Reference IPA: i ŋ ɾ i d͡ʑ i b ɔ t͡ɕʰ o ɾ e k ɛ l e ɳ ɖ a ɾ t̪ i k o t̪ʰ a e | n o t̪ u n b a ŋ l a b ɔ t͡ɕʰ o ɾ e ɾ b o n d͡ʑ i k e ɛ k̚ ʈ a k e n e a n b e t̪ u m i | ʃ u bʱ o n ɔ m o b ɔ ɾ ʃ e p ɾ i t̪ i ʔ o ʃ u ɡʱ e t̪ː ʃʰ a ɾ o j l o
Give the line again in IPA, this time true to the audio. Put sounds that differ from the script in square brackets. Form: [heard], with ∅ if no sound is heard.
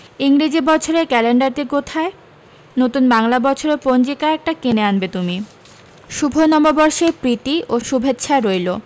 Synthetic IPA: i ŋ ɾ i d͡ʑ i b ɔ t͡ɕʰ o ɾ e k ɛ l e ɳ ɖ a ɾ t̪ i k o t̪ʰ a e | n o t̪ u n b a ŋ l a b ɔ t͡ɕʰ o ɾ e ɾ [p] o n d͡ʑ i k [a] ɛ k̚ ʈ a k e n e a n b e t̪ u m i | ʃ u bʱ o n ɔ m o b ɔ ɾ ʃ e p ɾ i t̪ i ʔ o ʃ u [bʱ] e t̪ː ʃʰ a ɾ o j l o